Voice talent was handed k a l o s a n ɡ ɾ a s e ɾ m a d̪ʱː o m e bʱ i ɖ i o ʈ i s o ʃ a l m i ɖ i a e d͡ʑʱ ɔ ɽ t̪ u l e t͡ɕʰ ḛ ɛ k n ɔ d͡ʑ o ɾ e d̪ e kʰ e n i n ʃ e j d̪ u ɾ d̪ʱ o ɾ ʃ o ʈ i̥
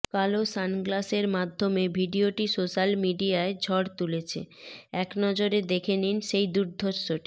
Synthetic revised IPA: k a l o s a n ɡ l a s e ɾ m a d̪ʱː o m e bʱ i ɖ i o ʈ i s o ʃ a l m i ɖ i a e d͡ʑʱ ɔ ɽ t̪ u l e t͡ɕʰ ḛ ɛ k n ɔ d͡ʑ o ɾ e d̪ e kʰ e n i n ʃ e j d̪ u ɾ d̪ʱ o ɾ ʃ o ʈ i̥